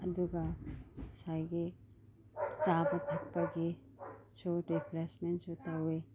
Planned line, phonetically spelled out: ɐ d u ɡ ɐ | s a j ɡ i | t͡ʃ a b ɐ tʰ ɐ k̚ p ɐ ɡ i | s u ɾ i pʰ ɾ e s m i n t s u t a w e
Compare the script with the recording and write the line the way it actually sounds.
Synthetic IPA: ɐ d u ɡ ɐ | s a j ɡ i | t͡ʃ a b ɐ tʰ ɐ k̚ p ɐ ɡ i | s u ɾ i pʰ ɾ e s m e n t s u t a w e